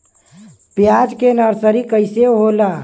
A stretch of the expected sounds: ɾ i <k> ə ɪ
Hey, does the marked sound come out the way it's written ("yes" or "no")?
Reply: yes